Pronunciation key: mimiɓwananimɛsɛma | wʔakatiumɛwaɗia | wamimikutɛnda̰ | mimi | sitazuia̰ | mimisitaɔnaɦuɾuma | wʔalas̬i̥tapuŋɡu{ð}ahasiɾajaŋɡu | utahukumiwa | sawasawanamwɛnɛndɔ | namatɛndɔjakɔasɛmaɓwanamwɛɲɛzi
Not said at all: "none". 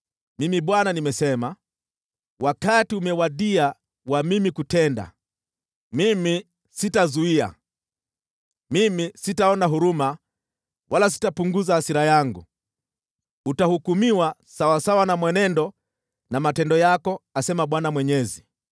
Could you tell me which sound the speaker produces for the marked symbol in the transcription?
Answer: z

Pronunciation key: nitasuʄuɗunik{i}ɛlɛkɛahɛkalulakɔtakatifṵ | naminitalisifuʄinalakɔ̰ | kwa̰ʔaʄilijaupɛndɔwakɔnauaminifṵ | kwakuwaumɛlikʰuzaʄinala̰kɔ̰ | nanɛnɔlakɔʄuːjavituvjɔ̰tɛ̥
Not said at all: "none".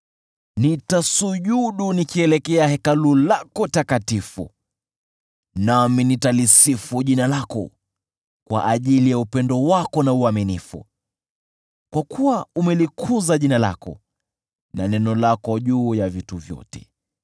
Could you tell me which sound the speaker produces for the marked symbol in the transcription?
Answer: i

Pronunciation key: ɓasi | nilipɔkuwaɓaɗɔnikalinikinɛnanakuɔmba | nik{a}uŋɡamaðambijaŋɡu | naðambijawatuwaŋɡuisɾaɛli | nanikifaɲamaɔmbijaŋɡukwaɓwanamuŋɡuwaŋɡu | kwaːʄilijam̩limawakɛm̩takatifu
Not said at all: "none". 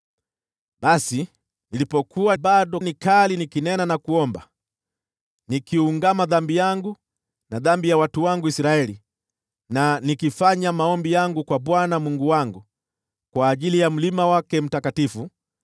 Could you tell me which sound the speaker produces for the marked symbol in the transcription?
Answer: i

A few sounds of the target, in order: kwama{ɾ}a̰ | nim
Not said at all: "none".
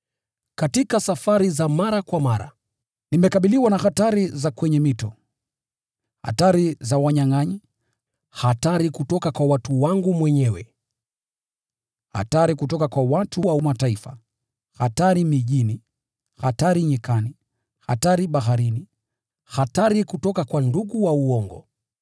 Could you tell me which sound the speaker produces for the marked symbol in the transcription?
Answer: ɾ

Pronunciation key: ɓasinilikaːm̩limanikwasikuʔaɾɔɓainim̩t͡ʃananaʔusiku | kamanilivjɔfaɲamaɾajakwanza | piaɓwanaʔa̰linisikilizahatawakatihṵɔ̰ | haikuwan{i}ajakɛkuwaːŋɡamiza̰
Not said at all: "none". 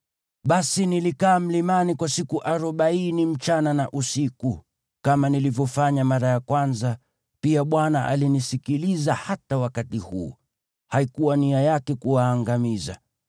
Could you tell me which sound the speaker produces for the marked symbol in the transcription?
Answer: i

